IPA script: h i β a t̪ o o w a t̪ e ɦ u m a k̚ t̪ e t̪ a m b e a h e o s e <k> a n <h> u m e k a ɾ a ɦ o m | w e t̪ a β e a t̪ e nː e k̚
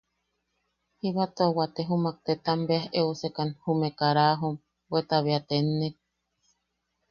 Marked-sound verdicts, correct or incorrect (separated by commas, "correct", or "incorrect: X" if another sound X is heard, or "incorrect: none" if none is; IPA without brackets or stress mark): correct, correct